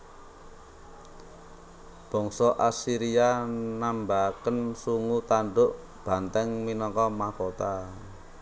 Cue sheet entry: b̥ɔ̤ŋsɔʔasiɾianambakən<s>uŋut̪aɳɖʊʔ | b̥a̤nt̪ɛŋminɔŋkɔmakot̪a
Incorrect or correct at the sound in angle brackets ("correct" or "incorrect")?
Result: correct